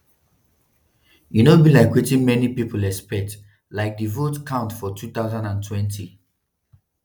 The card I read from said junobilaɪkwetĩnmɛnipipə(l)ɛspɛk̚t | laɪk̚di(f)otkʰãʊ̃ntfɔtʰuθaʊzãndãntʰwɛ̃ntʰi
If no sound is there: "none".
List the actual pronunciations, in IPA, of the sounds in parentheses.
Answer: l, v

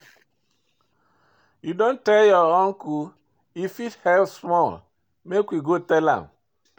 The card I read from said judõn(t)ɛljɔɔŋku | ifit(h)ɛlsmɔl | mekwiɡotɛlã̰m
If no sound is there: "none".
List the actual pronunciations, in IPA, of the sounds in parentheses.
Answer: t, h

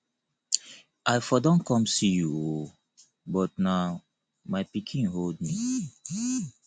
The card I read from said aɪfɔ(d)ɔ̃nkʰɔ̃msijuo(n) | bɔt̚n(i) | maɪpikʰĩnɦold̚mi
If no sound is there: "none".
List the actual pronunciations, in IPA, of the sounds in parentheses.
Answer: d, none, a

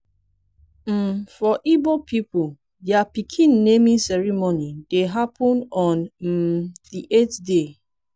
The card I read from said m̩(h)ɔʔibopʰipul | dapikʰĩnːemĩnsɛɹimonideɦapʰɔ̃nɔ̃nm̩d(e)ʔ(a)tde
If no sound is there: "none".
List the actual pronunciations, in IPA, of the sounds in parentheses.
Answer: f, i, e

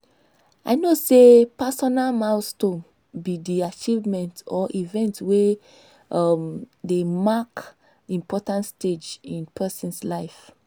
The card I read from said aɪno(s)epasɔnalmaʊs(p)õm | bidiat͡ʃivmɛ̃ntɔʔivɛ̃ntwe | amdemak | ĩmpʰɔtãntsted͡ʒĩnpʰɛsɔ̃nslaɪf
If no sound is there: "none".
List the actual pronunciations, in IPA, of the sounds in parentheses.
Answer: s, t

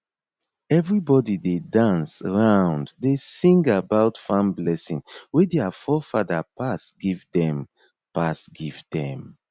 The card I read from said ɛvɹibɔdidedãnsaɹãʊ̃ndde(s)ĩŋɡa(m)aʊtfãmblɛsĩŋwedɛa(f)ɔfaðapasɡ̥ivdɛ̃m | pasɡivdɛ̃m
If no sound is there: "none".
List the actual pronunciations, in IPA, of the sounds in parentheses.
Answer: s, b, f

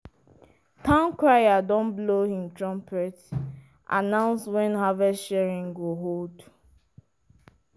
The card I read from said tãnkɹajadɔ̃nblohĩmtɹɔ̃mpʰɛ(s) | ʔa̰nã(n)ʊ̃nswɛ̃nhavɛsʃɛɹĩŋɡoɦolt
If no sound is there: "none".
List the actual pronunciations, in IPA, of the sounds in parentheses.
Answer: t, none

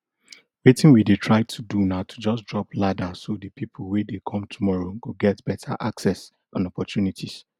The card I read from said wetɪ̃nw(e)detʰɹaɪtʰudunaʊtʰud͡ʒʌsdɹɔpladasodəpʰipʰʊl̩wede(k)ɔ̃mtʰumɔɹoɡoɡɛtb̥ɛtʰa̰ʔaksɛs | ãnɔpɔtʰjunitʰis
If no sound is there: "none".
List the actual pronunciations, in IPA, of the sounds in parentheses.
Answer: i, kʰ

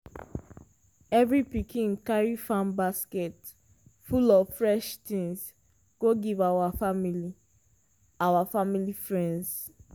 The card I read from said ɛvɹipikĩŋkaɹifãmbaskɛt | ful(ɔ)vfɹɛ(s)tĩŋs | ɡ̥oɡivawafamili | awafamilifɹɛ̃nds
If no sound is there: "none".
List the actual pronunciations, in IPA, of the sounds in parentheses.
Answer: ɔ, ʃ

